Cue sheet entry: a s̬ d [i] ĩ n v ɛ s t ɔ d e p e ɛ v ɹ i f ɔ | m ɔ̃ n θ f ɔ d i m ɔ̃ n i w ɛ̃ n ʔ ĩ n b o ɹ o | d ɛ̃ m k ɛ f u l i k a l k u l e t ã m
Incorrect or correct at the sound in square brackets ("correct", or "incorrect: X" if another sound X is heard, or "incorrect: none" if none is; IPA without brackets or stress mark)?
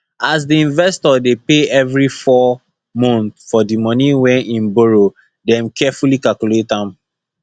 correct